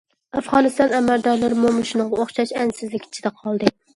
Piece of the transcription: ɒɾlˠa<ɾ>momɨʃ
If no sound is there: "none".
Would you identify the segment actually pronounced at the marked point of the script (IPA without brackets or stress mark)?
ɾ